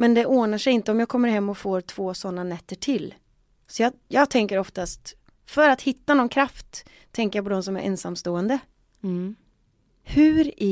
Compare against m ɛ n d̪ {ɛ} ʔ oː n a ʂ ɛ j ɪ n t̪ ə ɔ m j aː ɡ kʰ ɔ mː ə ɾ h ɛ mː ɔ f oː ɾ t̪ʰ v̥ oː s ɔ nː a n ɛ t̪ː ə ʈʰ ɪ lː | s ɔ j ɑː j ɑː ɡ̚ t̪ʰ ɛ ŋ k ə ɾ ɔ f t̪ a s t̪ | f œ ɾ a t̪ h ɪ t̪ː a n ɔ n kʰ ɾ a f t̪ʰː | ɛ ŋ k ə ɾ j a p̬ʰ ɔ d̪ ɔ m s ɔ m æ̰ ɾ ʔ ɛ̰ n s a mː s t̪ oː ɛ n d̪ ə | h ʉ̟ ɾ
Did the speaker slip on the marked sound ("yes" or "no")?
no